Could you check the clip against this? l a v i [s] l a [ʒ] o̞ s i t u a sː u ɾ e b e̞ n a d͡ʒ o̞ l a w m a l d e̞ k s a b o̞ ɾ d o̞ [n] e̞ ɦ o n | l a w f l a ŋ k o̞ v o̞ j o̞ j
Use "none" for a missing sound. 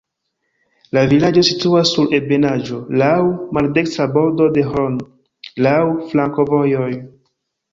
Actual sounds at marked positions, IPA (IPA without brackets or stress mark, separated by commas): none, d͡ʒ, d